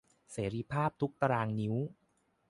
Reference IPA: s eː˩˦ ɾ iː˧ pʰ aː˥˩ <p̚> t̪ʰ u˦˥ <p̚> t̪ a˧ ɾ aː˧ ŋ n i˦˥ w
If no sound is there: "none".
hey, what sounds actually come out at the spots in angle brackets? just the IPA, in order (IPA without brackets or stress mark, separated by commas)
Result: p̚, k̚